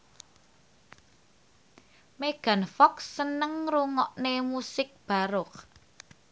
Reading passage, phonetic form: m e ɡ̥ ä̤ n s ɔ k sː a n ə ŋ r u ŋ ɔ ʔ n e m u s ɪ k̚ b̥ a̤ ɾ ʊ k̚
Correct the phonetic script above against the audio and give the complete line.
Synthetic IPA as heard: m e ɡ̥ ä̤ n f ɔ k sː ə n ə ŋ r u ŋ ɔ ʔ n e m u s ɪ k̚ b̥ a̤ ɾ ʊ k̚